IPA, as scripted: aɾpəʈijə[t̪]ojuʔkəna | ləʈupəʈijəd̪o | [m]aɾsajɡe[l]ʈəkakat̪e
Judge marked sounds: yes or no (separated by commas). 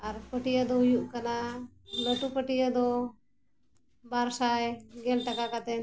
no, no, yes